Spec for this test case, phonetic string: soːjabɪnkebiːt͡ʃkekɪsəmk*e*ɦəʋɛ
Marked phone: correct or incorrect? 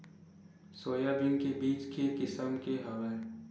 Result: correct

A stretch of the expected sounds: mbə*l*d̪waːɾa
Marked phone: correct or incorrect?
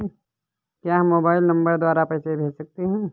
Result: incorrect: ɾ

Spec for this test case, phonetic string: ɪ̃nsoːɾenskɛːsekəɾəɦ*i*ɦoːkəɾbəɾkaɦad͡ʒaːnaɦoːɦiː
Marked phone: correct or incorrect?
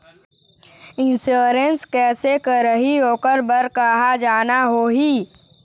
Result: correct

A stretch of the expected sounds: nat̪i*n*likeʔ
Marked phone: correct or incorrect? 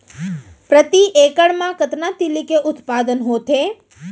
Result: incorrect: none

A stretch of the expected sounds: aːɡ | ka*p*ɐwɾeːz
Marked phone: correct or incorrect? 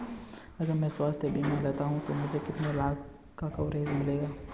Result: incorrect: k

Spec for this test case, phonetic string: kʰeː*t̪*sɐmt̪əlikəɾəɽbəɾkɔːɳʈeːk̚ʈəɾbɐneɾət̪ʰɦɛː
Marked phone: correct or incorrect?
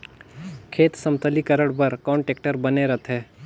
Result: correct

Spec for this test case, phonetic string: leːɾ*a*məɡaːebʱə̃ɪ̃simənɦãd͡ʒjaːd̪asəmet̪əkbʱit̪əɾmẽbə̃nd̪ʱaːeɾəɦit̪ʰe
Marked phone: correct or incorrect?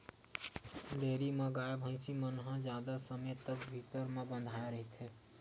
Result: incorrect: i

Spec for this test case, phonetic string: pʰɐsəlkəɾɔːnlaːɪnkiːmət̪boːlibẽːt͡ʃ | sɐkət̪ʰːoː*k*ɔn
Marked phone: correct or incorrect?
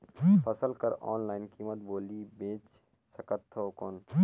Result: correct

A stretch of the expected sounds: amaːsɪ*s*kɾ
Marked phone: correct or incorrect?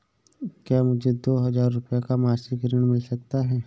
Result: incorrect: none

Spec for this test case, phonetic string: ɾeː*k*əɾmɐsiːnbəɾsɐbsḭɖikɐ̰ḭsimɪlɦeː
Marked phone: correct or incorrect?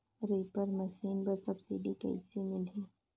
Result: incorrect: p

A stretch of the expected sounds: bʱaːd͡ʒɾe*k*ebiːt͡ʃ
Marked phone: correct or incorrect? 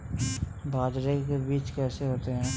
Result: correct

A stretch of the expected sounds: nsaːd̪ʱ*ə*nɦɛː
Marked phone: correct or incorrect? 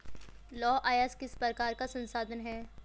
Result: correct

